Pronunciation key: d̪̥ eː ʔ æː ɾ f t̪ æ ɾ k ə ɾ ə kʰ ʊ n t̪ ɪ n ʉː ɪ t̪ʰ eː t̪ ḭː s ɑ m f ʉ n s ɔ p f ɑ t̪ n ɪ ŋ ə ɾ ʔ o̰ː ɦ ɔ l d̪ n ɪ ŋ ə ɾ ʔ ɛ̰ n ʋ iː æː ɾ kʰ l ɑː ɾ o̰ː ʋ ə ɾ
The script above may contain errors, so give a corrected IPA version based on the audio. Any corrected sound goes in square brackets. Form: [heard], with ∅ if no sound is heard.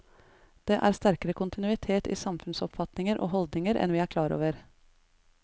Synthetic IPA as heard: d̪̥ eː ʔ æː ɾ [s] t̪ æ ɾ k ə ɾ ə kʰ ʊ n t̪ ɪ n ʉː ɪ t̪ʰ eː t̪ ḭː s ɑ m f ʉ n s ɔ p f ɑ t̪ n ɪ ŋ ə ɾ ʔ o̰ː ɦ ɔ l d̪ n ɪ ŋ ə ɾ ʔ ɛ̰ n ʋ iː æː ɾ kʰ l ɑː ɾ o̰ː ʋ ə ɾ